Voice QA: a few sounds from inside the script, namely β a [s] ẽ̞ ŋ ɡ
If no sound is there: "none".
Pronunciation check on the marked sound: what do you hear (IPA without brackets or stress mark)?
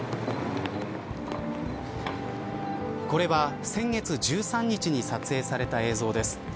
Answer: s